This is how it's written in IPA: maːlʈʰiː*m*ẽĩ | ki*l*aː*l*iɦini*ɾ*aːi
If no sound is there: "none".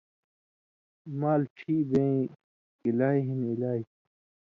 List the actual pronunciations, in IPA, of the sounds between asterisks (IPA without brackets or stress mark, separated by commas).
b, l, none, l